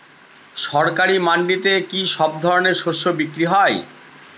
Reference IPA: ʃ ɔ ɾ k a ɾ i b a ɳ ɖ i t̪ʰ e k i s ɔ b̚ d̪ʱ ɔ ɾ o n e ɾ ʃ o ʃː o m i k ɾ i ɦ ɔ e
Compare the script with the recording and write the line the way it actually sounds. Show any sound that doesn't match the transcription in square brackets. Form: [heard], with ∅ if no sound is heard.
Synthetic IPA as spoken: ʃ ɔ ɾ k a ɾ i [m] a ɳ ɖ i [t̪] e k i [ʃ] ɔ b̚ d̪ʱ ɔ ɾ o n e ɾ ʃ o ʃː o [b] i k ɾ i ɦ ɔ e